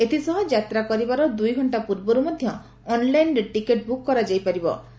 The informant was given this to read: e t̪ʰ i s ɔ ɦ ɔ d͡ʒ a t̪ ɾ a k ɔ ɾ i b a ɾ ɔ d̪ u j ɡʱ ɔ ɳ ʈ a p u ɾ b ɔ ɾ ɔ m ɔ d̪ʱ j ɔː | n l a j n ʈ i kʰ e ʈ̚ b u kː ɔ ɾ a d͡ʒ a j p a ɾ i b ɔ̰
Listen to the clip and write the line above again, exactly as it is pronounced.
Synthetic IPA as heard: e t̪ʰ i s ɔ ɦ ɔ d͡ʒ a t̪ ɾ a k ɔ ɾ i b a ɾ ɔ d̪ u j ɡʱ ɔ ɳ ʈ a p u ɾ b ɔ ɾ u m ɔ d̪ʱ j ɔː | n l a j n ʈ i k e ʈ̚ b u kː ɔ ɾ a d͡ʒ a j p a ɾ i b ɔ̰